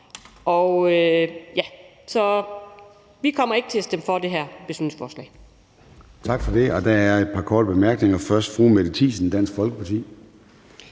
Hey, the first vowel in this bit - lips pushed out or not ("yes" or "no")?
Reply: yes